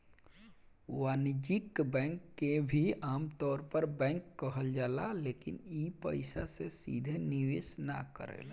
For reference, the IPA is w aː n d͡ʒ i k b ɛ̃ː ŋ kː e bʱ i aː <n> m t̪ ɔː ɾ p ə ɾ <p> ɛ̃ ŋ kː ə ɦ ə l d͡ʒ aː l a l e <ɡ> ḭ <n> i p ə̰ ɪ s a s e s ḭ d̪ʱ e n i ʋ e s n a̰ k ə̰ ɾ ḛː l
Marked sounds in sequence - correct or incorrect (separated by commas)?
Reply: incorrect, incorrect, incorrect, correct